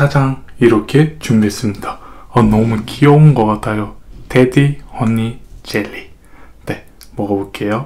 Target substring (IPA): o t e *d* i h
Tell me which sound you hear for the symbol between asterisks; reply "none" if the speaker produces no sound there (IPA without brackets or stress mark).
d